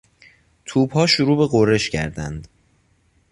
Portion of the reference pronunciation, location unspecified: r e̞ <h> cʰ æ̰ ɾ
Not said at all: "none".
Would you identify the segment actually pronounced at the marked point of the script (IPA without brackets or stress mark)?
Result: ʃ